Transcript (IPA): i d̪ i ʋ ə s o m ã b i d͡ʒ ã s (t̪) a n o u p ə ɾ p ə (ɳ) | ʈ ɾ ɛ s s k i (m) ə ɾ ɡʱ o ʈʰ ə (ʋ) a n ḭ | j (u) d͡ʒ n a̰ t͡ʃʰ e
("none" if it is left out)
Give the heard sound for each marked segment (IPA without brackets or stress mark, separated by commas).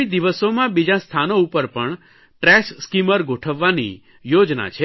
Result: t̪ʰ, ɳ, m, ʋː, o